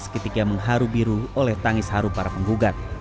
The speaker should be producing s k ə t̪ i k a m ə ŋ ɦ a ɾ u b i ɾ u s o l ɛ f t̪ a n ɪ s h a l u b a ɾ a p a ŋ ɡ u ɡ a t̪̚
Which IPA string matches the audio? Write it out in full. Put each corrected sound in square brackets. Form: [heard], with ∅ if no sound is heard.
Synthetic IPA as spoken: s k ə t̪ i k a m ə ŋ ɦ a ɾ u b i ɾ u [∅] o l ɛ [h] t̪ a [ŋ] ɪ s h a [ɾ] u [p] a ɾ a p [ə] ŋ ɡ u ɡ a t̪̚